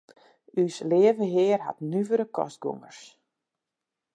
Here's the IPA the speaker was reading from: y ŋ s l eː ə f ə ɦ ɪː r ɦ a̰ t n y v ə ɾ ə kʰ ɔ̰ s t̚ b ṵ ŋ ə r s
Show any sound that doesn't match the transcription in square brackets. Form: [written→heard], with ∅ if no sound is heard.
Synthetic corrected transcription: y [ŋ→∅] s l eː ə [f→v] ə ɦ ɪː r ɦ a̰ t n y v ə ɾ ə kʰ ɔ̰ s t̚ [b→ɡ] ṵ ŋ ə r s